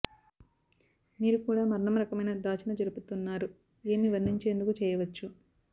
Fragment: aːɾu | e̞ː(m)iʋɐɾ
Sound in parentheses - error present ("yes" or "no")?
no